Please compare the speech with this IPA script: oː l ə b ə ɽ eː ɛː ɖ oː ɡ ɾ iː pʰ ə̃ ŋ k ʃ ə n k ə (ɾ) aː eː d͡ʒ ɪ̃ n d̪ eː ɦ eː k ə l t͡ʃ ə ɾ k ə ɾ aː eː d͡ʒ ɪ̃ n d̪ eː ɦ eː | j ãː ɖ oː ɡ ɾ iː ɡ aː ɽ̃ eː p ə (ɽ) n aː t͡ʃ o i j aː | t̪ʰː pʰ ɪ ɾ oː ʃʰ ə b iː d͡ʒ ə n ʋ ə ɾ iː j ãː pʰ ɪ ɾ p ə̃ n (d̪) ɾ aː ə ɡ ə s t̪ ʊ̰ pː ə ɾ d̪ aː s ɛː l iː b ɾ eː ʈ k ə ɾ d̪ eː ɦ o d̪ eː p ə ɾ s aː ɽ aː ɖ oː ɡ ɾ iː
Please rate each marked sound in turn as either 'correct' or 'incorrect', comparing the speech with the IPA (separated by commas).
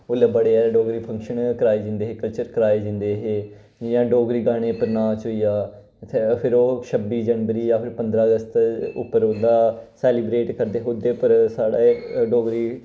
correct, incorrect, correct